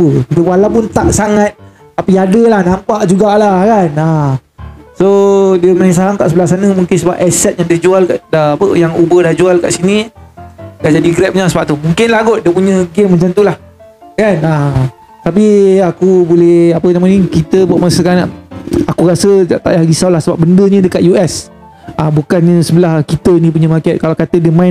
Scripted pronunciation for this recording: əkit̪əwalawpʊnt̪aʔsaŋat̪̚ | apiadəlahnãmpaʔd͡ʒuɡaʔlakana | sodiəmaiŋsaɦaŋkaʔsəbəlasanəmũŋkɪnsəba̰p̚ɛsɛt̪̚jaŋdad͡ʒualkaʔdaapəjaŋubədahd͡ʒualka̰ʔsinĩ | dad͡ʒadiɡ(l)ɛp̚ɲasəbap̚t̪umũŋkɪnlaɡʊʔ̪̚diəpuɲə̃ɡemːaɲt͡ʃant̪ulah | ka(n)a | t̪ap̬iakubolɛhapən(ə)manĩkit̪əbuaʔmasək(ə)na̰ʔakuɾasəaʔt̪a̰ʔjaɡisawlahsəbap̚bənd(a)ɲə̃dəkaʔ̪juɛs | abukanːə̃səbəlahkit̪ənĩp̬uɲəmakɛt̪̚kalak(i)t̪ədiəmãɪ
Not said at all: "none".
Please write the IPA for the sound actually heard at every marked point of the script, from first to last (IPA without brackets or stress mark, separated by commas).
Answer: ɾ, n, a, a, ə, a